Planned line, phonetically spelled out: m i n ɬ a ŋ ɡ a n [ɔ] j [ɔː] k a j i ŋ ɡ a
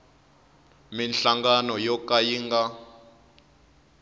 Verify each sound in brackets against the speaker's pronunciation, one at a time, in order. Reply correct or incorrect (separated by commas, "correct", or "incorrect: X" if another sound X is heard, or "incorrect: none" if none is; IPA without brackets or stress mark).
correct, incorrect: ɔ